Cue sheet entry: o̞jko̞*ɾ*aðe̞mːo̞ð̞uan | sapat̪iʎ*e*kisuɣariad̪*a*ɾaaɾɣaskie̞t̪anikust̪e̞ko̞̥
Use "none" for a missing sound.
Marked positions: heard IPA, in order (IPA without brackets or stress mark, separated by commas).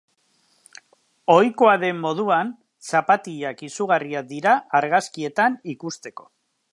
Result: none, a, i